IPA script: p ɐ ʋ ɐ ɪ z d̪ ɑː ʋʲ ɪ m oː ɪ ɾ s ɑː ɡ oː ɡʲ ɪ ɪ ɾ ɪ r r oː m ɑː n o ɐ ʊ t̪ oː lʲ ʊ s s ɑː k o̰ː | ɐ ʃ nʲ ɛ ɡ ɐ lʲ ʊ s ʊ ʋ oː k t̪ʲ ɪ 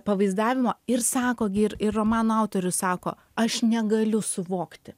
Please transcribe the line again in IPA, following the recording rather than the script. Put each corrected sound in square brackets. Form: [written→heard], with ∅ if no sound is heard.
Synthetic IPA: p ɐ ʋ ɐ ɪ z d̪ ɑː ʋʲ ɪ m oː ɪ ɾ s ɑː [ɡ→k] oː ɡʲ ɪ ɪ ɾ ɪ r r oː m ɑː n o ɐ ʊ t̪ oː [lʲ→ɾʲ] ʊ s s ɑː k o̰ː | ɐ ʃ nʲ ɛ ɡ ɐ lʲ ʊ s ʊ ʋ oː k t̪ʲ ɪ

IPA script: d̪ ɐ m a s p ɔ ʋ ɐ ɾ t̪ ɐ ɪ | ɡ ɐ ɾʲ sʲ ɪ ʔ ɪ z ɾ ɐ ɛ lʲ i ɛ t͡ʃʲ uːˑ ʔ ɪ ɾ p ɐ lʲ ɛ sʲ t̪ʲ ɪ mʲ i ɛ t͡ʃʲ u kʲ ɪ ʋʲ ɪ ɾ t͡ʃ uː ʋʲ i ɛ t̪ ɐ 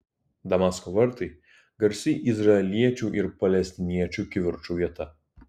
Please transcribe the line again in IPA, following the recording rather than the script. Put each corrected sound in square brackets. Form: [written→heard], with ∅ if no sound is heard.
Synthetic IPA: d̪ ɐ m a s [p→k] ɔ ʋ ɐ ɾ t̪ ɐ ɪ | ɡ ɐ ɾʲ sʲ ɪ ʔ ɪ z ɾ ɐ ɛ lʲ i ɛ t͡ʃʲ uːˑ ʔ ɪ ɾ p ɐ lʲ ɛ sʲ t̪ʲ ɪ [mʲ→nʲ] i ɛ t͡ʃʲ u kʲ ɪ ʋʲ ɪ ɾ t͡ʃ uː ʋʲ i ɛ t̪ ɐ

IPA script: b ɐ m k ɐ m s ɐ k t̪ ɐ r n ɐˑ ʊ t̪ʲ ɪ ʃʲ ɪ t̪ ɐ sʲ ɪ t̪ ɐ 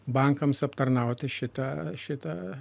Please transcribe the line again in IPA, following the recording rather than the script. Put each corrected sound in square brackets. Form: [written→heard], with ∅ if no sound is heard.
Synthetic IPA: b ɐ [m→ŋ] k ɐ m s ɐ [k→p] t̪ ɐ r n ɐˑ ʊ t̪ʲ ɪ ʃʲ ɪ t̪ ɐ [sʲ→ʃʲ] ɪ t̪ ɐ

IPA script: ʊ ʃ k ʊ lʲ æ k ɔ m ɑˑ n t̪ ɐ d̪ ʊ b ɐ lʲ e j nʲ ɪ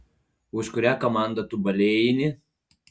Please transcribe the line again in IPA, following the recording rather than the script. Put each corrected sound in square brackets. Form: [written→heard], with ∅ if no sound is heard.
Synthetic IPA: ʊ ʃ k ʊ [lʲ→ɾʲ] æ k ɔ m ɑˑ n [t̪→d̪] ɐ [d̪→t̪] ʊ b ɐ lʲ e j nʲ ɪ

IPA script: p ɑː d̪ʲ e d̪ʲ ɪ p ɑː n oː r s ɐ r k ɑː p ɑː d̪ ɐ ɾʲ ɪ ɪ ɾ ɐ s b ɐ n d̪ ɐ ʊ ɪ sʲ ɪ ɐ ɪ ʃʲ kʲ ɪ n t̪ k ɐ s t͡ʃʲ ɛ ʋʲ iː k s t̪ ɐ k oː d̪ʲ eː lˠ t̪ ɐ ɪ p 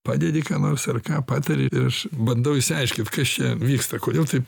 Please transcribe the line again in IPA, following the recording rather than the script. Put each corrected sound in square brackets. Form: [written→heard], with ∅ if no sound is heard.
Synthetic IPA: p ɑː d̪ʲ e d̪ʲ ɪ [p→k] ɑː n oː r s ɐ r k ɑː p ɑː [d̪→t̪] ɐ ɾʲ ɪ ɪ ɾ ɐ [s→ʃ] b ɐ n d̪ ɐ ʊ ɪ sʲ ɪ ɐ ɪ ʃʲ kʲ ɪ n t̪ k ɐ s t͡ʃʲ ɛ ʋʲ iː k s t̪ ɐ k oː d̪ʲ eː lˠ t̪ ɐ ɪ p

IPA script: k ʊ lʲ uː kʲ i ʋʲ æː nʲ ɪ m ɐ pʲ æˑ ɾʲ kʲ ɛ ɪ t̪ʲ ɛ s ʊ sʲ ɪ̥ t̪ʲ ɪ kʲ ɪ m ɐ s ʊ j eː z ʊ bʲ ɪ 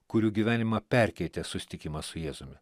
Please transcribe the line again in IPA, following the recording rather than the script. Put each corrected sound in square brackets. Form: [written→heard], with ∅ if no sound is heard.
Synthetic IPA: k ʊ [lʲ→ɾʲ] uː [kʲ→ɡʲ] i ʋʲ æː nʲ ɪ m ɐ pʲ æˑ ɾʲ kʲ ɛ ɪ t̪ʲ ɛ s ʊ sʲ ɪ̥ t̪ʲ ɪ kʲ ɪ m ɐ s ʊ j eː z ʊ [bʲ→mʲ] ɪ

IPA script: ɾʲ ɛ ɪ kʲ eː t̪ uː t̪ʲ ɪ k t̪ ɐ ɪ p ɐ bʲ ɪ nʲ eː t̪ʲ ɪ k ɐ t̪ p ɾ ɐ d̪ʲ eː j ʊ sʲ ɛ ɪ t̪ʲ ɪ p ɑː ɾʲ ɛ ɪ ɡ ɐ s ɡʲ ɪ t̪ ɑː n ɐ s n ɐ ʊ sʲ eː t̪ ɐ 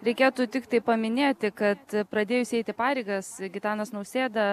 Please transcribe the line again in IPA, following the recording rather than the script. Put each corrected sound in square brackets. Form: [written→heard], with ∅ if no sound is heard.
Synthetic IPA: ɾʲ ɛ ɪ kʲ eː t̪ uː t̪ʲ ɪ k t̪ ɐ ɪ p ɐ [bʲ→mʲ] ɪ nʲ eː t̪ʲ ɪ k ɐ t̪ p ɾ ɐ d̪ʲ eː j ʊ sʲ ɛ ɪ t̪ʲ ɪ p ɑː ɾʲ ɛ ɪ ɡ ɐ s ɡʲ ɪ t̪ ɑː n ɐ s n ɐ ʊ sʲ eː [t̪→d̪] ɐ

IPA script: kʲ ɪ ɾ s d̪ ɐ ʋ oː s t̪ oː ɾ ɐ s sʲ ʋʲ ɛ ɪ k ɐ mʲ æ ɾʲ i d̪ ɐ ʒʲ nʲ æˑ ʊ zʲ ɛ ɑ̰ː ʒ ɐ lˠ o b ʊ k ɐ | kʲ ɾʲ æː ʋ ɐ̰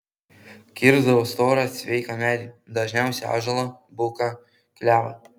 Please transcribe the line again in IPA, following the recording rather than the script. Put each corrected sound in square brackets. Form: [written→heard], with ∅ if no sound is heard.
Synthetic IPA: kʲ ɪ ɾ [s→z] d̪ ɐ ʋ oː s t̪ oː ɾ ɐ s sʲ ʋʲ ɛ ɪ k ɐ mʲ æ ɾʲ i d̪ ɐ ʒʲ nʲ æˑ ʊ [zʲ→sʲ] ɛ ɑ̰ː ʒ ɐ lˠ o b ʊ k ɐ | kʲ [ɾʲ→lʲ] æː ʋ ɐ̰

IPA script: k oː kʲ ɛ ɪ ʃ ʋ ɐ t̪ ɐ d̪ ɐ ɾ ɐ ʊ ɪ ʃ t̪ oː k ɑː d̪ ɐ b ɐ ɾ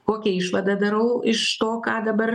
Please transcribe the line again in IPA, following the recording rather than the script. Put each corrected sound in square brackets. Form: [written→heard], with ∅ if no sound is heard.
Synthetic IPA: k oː kʲ ɛ ɪ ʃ ʋ ɐ [t̪→d̪] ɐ d̪ ɐ ɾ ɐ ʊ ɪ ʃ t̪ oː k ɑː d̪ ɐ b ɐ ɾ

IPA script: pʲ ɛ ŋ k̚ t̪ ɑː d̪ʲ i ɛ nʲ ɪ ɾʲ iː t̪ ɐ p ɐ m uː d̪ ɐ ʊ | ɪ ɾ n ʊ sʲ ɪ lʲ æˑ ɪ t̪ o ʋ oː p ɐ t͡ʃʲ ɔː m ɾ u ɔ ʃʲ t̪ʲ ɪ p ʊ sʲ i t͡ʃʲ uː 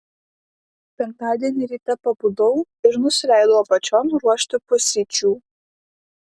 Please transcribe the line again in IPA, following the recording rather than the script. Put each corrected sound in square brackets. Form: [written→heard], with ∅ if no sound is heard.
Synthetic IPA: pʲ ɛ ŋ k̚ t̪ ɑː d̪ʲ i ɛ nʲ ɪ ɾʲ iː t̪ ɐ p ɐ [m→b] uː d̪ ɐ ʊ | ɪ ɾ n ʊ sʲ ɪ lʲ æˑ ɪ [t̪→d̪] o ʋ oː p ɐ t͡ʃʲ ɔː m ɾ u ɔ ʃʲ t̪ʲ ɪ p ʊ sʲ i t͡ʃʲ uː

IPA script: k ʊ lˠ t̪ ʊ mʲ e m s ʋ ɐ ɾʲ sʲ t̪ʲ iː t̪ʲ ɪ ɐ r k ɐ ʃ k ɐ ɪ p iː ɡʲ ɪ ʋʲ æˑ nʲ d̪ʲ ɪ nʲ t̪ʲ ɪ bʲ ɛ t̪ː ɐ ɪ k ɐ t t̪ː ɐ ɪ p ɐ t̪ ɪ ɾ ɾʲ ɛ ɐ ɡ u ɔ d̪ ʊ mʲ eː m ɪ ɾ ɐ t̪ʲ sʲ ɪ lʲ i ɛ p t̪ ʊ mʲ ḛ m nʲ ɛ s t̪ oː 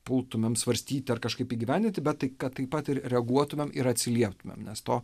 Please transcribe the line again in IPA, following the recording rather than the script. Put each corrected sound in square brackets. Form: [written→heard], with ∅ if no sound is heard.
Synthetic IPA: [k→p] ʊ lˠ t̪ ʊ mʲ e m s ʋ ɐ ɾʲ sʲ t̪ʲ iː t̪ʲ ɪ ɐ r k ɐ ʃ k ɐ ɪ p iː ɡʲ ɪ ʋʲ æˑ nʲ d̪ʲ ɪ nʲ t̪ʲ ɪ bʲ ɛ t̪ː ɐ ɪ k ɐ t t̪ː ɐ ɪ p ɐ t̪ ɪ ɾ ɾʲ ɛ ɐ ɡ u ɔ [d̪→t̪] ʊ mʲ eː m ɪ ɾ ɐ t̪ʲ sʲ ɪ lʲ i ɛ p t̪ ʊ mʲ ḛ m nʲ ɛ s t̪ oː

